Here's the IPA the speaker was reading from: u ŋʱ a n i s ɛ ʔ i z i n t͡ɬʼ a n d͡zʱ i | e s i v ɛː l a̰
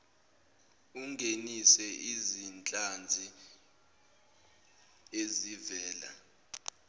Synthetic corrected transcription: u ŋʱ e n i s ɛ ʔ i z i n t͡ɬʼ a n d͡zʱ i | e z i v ɛː l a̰